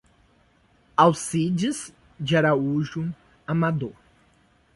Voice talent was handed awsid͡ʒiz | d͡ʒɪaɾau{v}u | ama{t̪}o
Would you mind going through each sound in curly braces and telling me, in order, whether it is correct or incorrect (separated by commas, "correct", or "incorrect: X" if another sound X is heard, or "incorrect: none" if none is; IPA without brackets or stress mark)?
incorrect: ʒ, incorrect: d̪